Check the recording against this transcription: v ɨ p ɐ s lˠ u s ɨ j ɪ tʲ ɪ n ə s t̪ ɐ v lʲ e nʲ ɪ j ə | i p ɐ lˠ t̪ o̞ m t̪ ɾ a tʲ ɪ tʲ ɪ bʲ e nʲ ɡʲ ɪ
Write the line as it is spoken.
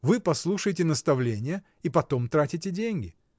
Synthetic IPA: v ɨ p ɐ s lˠ u ʂ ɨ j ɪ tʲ ɪ n ə s t̪ ɐ v lʲ e nʲ ɪ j ə | i p ɐ t̪ o̞ m t̪ ɾ a tʲ ɪ tʲ ɪ dʲ e nʲ ɡʲ ɪ